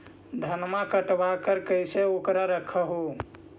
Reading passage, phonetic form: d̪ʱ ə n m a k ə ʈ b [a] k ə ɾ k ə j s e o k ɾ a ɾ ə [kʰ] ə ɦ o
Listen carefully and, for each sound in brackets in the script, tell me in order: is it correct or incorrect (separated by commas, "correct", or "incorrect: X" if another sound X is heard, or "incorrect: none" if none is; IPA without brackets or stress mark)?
correct, correct